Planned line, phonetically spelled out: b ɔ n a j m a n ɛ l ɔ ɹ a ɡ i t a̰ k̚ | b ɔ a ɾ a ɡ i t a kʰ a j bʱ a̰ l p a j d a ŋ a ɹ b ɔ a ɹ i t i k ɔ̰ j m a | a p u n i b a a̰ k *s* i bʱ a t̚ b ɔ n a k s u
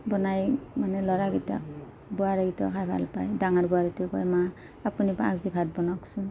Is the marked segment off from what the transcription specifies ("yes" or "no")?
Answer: yes